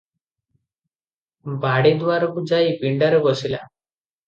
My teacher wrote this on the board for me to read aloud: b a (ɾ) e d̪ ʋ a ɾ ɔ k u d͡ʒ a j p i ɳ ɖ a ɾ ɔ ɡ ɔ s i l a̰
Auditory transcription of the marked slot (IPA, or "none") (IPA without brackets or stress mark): ɽ